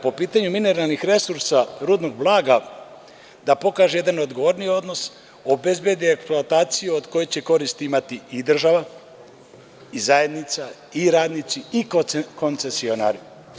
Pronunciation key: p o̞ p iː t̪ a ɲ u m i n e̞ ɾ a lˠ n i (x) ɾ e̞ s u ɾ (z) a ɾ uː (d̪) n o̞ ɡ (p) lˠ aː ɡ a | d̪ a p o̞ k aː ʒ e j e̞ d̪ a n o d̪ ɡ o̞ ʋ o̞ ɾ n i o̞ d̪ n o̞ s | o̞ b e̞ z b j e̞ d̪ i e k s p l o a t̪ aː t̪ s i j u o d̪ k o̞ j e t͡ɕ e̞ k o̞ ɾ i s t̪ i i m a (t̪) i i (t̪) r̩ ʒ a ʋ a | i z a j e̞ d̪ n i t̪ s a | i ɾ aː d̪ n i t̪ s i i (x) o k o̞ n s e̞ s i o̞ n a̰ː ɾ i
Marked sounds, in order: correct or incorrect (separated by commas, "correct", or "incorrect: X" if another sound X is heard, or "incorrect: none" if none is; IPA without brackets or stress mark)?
correct, incorrect: s, correct, incorrect: b, correct, incorrect: d̪, incorrect: k